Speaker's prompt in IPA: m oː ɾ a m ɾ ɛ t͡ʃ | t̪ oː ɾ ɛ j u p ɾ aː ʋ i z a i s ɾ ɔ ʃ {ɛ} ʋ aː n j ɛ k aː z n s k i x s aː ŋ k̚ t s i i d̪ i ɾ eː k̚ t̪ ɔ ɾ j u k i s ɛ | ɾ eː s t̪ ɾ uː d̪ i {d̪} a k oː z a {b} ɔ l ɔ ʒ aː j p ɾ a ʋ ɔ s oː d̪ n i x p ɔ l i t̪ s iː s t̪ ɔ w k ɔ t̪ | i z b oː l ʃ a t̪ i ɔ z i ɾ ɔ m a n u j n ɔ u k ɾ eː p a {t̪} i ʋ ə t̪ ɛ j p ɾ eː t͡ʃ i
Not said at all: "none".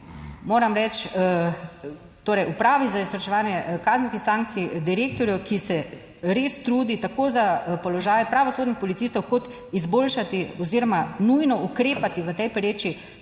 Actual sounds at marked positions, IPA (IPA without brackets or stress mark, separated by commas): ɛ, t̪, p, t̪